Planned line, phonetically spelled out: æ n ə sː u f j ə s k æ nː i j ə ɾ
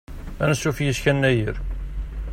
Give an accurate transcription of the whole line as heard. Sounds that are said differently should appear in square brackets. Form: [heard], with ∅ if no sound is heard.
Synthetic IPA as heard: æ n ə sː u f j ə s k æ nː [æ] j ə ɾ